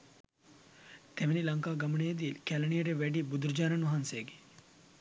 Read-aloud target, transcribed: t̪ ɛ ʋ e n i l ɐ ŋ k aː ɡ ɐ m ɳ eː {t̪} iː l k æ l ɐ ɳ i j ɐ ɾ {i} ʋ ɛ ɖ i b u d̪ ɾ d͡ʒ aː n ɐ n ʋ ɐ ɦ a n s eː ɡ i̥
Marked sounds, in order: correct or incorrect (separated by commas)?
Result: incorrect, incorrect